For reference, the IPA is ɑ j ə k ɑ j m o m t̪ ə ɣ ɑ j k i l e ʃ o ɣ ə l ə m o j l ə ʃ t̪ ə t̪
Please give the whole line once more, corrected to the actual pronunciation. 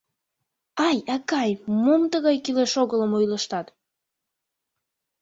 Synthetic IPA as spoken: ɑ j ɑ k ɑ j m o m t̪ ə ɣ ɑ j k i l e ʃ o ɣ ə l ə m o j l ə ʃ t̪ ɑ t̪